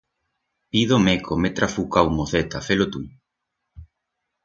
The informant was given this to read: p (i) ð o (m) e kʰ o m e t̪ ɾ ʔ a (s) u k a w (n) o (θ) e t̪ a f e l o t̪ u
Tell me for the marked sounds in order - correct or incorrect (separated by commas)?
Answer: correct, correct, incorrect, incorrect, correct